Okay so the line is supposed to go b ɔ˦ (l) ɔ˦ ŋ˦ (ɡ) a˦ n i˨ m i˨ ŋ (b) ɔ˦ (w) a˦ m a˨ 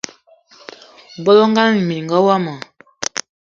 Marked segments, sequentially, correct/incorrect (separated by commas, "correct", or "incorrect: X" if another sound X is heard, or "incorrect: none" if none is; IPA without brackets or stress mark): correct, correct, incorrect: ɡ, correct